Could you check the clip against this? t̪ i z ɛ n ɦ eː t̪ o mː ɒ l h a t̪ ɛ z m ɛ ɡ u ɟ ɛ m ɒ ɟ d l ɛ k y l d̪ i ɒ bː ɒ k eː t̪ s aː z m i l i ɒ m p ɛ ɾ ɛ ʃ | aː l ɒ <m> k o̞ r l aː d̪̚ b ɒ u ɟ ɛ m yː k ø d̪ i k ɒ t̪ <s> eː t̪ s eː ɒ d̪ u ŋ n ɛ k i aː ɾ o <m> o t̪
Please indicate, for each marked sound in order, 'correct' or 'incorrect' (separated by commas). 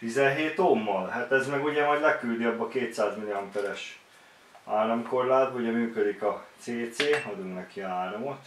correct, correct, correct